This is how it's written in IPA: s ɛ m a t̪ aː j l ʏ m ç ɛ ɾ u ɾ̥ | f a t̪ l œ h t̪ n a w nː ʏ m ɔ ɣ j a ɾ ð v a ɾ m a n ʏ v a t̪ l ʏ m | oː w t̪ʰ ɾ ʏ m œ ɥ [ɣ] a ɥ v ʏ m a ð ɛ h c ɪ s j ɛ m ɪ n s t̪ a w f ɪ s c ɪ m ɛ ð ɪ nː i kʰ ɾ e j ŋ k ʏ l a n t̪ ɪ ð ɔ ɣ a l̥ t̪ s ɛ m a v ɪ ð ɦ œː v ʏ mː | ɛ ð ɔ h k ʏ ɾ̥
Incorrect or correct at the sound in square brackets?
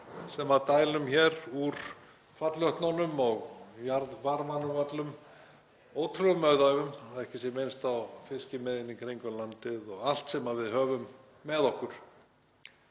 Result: incorrect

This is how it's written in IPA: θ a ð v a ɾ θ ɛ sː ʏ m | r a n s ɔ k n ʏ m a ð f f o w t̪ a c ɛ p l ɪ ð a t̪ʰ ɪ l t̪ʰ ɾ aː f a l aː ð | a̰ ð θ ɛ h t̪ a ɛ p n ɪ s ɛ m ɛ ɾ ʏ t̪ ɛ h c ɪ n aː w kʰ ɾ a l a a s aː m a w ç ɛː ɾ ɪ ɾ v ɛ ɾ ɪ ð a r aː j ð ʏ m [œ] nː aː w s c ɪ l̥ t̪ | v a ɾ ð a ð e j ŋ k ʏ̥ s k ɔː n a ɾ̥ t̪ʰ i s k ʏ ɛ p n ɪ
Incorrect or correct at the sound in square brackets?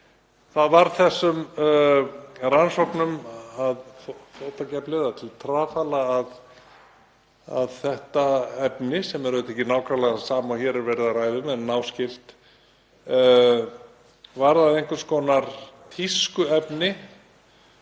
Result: incorrect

